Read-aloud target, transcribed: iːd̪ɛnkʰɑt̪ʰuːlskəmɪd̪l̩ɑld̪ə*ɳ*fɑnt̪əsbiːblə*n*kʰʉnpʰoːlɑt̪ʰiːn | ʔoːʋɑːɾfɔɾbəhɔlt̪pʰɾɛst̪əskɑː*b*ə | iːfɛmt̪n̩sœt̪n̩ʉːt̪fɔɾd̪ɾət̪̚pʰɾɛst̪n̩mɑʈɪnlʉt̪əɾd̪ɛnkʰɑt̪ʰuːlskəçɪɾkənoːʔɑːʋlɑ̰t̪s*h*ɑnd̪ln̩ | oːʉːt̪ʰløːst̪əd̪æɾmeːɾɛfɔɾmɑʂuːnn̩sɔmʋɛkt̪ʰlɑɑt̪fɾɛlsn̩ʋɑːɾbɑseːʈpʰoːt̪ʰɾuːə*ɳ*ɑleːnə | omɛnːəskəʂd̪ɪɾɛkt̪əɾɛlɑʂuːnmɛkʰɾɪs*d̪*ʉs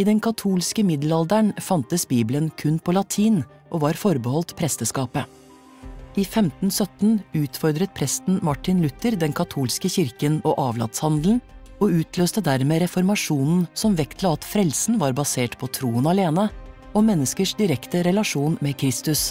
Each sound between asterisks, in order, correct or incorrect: correct, correct, incorrect: p, correct, incorrect: n, incorrect: t̪

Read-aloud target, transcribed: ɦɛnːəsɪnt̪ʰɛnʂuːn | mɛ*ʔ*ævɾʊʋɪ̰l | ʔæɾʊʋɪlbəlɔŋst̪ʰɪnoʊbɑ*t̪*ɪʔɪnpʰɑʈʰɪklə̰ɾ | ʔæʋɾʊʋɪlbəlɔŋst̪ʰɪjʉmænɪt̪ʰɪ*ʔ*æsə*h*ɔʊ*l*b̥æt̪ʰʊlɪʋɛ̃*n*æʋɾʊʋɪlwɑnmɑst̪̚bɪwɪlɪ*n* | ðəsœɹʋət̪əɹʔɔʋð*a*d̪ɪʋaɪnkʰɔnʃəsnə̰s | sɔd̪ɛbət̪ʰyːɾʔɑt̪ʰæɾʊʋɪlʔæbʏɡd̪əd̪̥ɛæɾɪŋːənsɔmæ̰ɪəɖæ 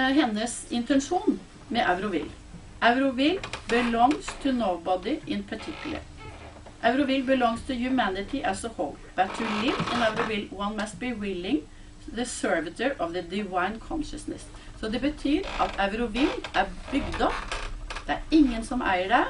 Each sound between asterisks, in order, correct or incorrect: correct, incorrect: d̪, correct, correct, correct, correct, incorrect: ŋ, incorrect: ə

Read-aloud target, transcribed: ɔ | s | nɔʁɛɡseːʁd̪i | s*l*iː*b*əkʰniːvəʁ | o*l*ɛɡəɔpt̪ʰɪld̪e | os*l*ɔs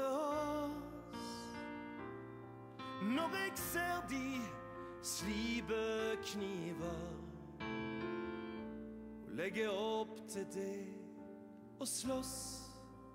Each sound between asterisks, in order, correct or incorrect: correct, correct, correct, correct

